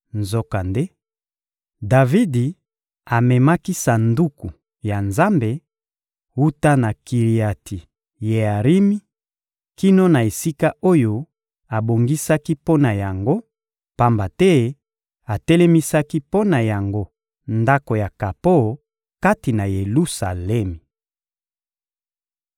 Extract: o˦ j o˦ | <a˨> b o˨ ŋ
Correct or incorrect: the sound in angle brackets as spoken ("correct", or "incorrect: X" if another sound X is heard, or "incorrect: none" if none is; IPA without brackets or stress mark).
correct